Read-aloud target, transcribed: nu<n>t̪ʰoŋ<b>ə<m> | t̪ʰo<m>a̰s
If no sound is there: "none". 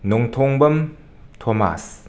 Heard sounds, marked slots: ŋ, b, m, m

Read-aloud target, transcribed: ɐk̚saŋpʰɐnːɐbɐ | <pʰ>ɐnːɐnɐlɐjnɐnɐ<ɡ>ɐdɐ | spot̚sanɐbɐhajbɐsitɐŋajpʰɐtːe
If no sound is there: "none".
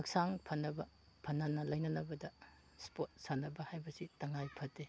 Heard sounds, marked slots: pʰ, b

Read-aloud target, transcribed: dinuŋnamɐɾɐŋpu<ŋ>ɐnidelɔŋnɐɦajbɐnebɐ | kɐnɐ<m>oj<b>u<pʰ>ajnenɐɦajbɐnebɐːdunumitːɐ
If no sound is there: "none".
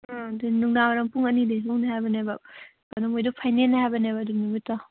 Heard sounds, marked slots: ŋ, m, d, pʰ

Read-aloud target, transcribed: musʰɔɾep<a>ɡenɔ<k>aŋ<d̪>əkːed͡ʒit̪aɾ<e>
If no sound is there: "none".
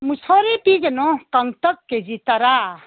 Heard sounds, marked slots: i, k, t̪, a

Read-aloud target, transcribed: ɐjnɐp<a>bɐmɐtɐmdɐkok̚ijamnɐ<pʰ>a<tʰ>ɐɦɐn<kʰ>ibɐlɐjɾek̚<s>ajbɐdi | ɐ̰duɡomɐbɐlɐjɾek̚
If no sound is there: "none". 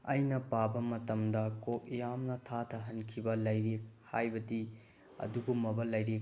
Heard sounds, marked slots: a, tʰ, tʰ, kʰ, h

